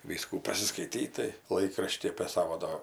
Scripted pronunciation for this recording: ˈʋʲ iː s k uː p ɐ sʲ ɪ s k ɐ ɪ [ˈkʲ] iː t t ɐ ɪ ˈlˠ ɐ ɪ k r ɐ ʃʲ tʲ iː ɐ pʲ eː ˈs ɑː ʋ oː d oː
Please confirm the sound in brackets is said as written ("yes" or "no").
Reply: no